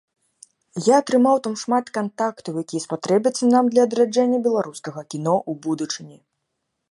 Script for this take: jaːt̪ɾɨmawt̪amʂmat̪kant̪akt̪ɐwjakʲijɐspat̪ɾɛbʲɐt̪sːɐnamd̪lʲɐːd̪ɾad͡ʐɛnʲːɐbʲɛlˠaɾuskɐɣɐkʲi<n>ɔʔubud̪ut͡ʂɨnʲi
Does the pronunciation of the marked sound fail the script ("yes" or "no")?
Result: no